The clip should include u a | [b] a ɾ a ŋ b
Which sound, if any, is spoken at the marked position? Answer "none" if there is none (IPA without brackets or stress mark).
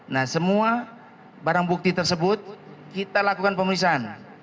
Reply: b